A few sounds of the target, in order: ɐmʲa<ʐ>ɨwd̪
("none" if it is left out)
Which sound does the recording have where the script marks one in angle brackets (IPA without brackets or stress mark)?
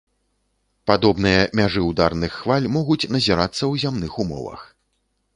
ʐ